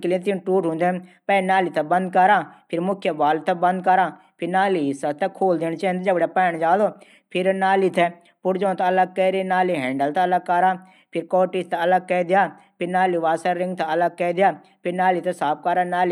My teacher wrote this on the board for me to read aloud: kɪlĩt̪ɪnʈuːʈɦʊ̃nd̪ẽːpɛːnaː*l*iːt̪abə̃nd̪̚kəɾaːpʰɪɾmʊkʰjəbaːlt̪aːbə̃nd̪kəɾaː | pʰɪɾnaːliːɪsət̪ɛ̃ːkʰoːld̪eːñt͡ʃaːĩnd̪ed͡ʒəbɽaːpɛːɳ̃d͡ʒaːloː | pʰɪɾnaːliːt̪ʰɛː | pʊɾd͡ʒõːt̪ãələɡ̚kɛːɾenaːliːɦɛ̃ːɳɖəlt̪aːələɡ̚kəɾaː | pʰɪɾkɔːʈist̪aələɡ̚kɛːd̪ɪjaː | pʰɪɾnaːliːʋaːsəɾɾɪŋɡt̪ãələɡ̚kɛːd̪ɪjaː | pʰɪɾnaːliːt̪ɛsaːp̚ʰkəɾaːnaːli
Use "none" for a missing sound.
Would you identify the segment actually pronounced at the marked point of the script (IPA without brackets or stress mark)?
l